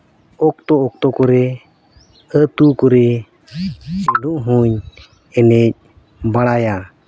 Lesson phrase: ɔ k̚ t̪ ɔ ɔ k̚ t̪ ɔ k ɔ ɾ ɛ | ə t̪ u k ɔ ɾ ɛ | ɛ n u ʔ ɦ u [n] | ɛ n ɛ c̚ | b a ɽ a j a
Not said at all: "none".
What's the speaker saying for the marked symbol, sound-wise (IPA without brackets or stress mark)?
ɲ